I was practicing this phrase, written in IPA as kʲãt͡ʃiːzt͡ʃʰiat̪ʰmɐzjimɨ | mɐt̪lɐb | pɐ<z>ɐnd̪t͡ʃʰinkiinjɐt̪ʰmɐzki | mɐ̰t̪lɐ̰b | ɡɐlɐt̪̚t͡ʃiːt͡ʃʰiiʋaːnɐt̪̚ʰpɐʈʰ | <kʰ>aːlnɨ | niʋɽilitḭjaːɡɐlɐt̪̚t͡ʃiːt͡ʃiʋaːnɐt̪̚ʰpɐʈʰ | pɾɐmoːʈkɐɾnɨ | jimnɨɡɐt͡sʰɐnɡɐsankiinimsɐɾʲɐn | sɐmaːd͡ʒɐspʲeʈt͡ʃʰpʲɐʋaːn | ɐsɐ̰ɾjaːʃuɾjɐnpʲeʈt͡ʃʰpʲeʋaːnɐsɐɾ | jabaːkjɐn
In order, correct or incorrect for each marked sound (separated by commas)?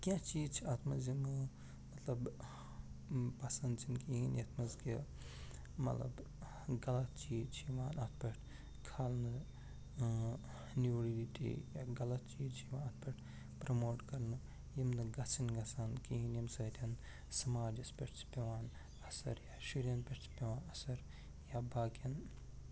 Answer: incorrect, correct